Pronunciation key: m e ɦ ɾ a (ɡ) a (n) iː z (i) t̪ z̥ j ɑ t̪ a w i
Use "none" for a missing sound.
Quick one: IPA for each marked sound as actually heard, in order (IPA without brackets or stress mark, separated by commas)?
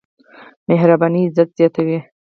b, n, a